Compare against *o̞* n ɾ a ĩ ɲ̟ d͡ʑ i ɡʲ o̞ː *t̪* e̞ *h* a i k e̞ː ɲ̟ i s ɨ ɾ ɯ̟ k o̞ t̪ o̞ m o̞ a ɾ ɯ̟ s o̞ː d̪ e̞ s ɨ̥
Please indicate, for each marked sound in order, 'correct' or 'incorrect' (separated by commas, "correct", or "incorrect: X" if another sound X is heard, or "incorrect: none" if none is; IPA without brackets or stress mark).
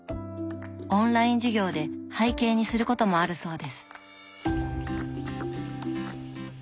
incorrect: õ̞, incorrect: d̪, correct